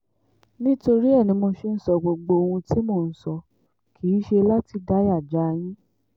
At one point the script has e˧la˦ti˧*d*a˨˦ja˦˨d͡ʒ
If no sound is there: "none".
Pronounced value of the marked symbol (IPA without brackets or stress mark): d